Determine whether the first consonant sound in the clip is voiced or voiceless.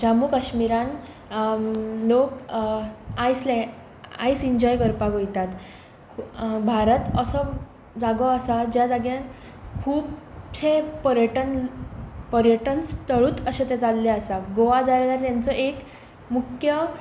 voiced